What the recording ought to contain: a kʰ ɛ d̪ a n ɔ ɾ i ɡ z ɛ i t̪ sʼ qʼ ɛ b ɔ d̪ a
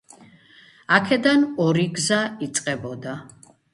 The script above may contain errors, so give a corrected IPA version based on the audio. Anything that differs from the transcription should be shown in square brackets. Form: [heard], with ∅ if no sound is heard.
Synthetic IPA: a kʰ ɛ d̪ a n ɔ ɾ i ɡ z [a] i t̪ sʼ qʼ ɛ b ɔ d̪ a